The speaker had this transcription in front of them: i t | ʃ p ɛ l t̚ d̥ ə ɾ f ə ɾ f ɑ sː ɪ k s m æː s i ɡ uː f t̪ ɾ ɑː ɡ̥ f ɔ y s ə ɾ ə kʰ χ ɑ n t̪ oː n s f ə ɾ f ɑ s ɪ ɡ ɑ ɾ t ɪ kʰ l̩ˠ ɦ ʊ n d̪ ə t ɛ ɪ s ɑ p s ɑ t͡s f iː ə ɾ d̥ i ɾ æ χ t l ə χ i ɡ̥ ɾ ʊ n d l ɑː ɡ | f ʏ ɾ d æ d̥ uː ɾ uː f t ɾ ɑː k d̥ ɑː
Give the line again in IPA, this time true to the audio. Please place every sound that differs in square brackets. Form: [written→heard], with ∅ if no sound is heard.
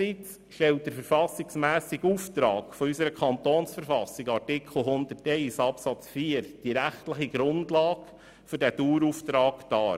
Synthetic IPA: i [t→t͡s] | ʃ [p→t] ɛ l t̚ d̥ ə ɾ f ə ɾ f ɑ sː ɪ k s m æː s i ɡ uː f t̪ ɾ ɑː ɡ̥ f ɔ y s ə ɾ ə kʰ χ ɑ n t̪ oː n s f ə ɾ f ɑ s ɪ ɡ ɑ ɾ t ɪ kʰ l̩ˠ ɦ ʊ n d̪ ə t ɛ ɪ s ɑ p s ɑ t͡s f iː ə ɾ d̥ i ɾ æ χ t l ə χ i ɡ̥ ɾ ʊ n d l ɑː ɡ | f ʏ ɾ d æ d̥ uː ɾ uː f t ɾ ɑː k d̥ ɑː